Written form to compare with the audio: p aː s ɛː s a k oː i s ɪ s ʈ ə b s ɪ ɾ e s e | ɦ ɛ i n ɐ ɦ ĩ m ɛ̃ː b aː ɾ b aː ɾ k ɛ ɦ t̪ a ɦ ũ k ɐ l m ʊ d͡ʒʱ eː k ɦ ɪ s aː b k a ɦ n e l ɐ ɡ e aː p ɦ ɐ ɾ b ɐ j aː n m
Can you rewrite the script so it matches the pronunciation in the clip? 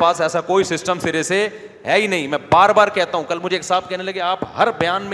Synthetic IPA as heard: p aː s ɛː s a k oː i s ɪ s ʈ ə m s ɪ ɾ e s e | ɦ ɛ i n ɐ ɦ ĩ m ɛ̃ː b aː ɾ b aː ɾ k ɛ ɦ t̪ a ɦ ũ k ɐ l m ʊ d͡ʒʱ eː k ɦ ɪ s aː b k ɛ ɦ n e l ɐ ɡ e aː p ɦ ɐ ɾ b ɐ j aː n m